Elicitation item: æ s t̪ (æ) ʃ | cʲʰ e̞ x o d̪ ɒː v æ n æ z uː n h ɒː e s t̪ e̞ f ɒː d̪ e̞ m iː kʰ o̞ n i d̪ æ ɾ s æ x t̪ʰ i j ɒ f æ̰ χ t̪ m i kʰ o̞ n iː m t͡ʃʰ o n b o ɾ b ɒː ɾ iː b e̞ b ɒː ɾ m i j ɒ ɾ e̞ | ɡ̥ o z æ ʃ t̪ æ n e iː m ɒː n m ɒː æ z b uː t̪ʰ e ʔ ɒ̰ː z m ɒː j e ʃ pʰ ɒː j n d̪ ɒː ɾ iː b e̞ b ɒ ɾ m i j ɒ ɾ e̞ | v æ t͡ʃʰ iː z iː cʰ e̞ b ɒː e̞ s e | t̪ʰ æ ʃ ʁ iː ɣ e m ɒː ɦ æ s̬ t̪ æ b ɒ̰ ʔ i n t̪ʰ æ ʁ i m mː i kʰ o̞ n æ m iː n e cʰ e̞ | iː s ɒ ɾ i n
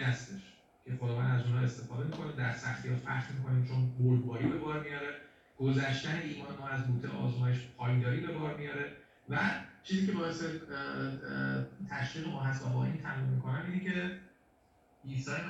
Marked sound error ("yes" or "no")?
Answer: yes